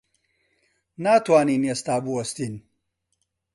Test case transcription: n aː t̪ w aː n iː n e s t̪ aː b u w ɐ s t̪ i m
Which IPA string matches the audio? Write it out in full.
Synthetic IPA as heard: n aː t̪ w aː n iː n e s t̪ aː b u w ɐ s t̪ i n